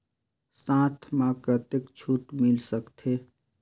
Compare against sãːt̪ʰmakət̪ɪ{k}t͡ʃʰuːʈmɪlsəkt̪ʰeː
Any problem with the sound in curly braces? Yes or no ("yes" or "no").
no